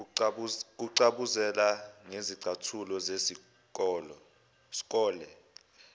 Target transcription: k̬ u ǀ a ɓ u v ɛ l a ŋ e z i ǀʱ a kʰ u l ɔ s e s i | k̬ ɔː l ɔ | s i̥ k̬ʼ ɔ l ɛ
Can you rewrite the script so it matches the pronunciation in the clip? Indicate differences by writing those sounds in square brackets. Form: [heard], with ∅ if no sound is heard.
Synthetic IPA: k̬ u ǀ a ɓ u [z] ɛ l a ŋ e z i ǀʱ a [tʰ] u l ɔ [z] e s i | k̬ ɔː l ɔ | s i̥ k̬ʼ [ɔː] l ɛ